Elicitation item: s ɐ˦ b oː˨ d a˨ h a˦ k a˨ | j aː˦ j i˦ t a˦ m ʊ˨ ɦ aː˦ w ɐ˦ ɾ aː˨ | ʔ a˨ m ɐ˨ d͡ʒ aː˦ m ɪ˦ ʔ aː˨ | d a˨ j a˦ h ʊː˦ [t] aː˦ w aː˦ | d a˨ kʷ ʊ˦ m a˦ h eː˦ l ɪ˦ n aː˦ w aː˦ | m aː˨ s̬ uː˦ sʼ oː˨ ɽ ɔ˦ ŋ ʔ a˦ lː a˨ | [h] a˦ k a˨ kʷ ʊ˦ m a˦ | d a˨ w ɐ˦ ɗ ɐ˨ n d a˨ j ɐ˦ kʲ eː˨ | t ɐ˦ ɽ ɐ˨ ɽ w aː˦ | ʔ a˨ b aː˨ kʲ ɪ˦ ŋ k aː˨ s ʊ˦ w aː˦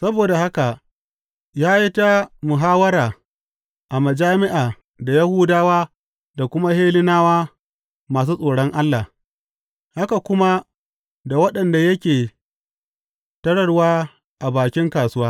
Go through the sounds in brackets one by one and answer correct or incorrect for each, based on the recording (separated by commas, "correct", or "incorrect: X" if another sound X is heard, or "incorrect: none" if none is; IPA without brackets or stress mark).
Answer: incorrect: d, correct